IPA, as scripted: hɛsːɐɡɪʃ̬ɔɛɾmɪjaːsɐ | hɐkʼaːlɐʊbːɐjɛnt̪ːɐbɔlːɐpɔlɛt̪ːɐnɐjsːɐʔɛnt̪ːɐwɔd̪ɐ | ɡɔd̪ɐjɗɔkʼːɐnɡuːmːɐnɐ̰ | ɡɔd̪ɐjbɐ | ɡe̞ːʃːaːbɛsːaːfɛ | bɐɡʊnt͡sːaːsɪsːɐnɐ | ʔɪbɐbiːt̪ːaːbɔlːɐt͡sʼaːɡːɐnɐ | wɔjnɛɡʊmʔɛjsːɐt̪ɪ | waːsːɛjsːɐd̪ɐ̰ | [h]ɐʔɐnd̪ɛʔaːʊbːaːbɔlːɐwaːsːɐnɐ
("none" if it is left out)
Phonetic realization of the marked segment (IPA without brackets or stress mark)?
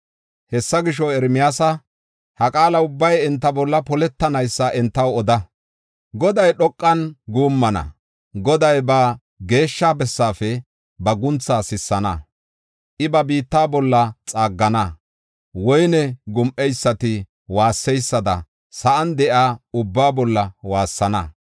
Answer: s